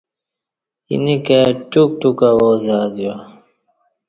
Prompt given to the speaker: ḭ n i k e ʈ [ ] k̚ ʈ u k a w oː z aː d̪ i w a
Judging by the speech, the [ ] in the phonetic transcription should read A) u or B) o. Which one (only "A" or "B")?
A